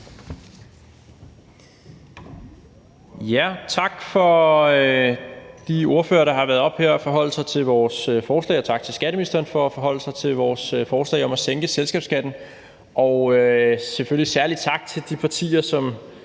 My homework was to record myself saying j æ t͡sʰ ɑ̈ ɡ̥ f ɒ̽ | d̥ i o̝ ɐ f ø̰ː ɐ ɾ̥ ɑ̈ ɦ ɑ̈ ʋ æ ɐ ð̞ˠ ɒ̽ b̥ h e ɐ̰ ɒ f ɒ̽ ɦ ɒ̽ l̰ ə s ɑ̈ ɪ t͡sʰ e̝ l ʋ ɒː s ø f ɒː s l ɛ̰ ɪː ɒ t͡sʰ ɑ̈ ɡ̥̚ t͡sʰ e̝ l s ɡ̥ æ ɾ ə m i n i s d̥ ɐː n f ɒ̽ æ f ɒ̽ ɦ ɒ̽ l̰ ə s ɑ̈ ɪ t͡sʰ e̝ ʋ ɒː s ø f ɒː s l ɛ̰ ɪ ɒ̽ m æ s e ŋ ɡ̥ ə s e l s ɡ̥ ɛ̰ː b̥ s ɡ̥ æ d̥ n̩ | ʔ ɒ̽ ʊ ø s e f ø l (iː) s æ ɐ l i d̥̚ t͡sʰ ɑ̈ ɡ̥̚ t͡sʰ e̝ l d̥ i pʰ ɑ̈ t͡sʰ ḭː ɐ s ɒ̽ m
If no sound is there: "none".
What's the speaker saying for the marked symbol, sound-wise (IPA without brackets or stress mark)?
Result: i